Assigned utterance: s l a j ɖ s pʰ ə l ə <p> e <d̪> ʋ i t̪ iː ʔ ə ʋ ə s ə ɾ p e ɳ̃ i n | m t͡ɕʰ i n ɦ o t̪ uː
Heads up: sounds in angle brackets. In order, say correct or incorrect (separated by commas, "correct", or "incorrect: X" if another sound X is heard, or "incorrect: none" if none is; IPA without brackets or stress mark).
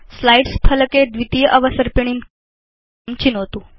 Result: incorrect: k, correct